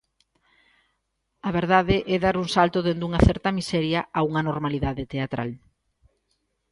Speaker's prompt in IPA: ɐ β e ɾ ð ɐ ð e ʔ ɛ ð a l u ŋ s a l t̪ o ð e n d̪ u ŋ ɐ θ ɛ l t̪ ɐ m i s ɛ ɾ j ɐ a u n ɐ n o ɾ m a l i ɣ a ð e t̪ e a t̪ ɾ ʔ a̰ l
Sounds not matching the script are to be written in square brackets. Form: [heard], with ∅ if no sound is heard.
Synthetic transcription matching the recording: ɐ β e ɾ ð [a] ð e ʔ ɛ ð a [ɾ] u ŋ s a l t̪ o ð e n d̪ u ŋ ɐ θ ɛ [ɾ] t̪ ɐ m i s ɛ ɾ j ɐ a u [ŋ] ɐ n o ɾ m a l i [ð] a ð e t̪ e a t̪ ɾ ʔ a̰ l